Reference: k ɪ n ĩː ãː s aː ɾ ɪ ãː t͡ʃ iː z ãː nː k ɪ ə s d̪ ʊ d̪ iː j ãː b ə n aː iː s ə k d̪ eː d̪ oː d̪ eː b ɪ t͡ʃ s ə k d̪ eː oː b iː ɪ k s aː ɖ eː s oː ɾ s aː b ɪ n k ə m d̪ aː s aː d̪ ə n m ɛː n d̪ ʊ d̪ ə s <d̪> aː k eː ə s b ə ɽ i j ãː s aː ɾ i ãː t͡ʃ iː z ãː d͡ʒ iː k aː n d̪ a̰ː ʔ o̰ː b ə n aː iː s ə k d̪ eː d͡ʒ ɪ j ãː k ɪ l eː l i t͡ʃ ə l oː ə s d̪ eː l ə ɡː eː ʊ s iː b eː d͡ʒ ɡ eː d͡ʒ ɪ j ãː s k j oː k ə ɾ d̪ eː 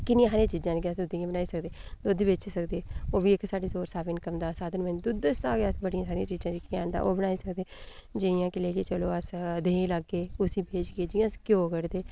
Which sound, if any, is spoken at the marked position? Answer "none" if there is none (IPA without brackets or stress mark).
t̪